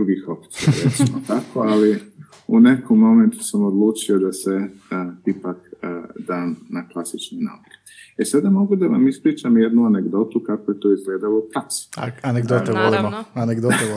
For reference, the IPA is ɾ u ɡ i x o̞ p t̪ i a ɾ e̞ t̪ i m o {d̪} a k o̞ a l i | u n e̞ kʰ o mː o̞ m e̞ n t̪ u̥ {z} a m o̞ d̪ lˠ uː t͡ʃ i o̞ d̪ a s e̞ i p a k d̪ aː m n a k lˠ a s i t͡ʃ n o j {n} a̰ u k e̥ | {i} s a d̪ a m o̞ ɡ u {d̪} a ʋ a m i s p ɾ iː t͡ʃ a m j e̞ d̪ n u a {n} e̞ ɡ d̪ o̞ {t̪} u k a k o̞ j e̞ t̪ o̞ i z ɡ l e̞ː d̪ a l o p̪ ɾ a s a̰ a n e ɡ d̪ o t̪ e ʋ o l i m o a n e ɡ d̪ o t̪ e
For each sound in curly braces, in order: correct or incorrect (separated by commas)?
incorrect, incorrect, correct, incorrect, correct, correct, correct